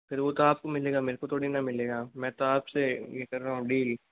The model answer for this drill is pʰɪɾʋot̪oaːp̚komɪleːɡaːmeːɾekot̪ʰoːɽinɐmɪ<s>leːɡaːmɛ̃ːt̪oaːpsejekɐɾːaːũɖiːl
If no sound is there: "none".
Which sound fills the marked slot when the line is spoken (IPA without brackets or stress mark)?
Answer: none